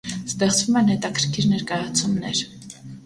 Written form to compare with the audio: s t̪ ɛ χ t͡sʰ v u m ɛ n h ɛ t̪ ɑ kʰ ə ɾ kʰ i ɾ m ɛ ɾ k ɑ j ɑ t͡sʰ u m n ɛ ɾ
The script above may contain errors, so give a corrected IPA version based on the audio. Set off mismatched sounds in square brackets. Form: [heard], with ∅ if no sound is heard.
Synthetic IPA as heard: s t̪ ɛ χ [t͡s] v u m ɛ n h ɛ t̪ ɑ kʰ ə ɾ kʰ i ɾ [n] ɛ ɾ k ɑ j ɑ t͡sʰ u m n ɛ ɾ